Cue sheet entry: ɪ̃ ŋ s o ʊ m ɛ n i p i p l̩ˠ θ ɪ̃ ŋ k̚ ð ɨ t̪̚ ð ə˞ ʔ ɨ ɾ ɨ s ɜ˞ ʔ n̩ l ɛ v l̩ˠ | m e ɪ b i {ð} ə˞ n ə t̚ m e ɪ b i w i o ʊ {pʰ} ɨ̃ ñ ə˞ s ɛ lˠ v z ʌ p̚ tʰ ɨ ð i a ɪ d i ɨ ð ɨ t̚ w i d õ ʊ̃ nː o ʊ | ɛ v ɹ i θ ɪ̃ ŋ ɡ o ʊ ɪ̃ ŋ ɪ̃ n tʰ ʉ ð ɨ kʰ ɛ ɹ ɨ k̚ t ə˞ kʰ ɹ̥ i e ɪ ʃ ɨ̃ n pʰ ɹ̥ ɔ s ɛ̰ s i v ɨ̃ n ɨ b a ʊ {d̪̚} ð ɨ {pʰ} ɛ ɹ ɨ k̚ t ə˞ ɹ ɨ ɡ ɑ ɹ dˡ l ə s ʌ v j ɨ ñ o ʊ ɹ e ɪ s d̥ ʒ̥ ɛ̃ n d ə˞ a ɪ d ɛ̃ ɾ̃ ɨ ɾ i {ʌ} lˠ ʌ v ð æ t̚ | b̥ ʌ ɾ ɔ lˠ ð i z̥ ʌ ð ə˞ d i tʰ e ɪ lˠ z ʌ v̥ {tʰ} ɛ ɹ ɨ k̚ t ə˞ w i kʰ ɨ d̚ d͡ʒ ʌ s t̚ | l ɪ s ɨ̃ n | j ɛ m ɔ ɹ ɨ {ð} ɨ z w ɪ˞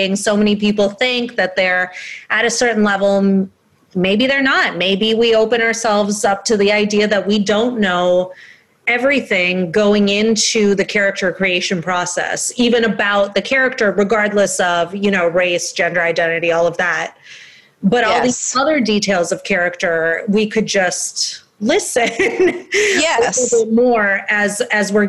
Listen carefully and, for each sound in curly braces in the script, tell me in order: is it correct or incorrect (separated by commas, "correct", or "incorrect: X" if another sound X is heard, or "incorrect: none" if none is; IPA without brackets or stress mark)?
correct, incorrect: p, incorrect: t̪̚, incorrect: kʰ, incorrect: ɔ, incorrect: kʰ, incorrect: z